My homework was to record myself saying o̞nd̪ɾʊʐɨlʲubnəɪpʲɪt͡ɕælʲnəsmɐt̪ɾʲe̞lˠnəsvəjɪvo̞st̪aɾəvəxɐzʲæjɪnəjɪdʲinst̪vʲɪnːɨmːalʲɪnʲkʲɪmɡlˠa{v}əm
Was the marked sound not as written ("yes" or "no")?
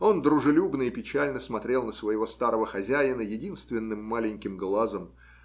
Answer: yes